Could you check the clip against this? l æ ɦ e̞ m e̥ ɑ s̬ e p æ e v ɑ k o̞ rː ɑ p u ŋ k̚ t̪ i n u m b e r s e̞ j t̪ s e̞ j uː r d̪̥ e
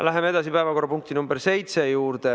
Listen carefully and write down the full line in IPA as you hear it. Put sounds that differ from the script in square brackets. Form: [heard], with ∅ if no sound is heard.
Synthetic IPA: l æ ɦ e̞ m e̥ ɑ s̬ [i] p æ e v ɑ k o̞ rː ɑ p u ŋ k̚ t̪ i n u m b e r s e̞ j t̪ s e̞ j uː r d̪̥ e